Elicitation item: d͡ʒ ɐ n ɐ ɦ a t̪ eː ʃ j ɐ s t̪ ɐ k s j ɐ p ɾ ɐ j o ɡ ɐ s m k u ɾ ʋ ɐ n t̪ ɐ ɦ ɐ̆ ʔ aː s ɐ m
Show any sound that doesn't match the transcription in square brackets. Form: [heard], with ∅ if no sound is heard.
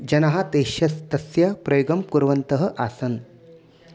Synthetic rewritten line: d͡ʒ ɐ n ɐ ɦ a t̪ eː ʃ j ɐ s t̪ ɐ [∅] s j ɐ p ɾ ɐ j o ɡ ɐ [∅] m k u ɾ ʋ ɐ n t̪ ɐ ɦ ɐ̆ ʔ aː s ɐ [n]